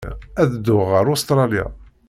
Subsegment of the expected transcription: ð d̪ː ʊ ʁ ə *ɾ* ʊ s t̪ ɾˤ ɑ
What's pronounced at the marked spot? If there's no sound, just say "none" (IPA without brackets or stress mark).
ɾ